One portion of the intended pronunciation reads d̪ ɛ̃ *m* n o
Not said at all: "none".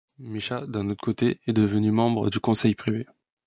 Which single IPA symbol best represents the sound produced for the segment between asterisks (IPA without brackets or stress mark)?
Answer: none